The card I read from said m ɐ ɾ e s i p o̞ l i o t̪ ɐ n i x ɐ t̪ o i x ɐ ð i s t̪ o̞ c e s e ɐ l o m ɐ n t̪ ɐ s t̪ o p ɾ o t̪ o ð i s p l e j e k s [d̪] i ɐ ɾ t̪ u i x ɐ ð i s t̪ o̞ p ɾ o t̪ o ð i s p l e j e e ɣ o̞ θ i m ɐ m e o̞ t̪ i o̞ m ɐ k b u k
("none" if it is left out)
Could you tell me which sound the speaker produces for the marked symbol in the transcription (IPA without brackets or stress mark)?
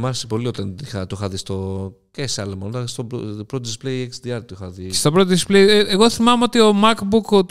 d̪